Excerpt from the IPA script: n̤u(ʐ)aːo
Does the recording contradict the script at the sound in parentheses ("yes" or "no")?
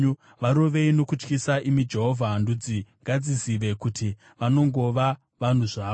no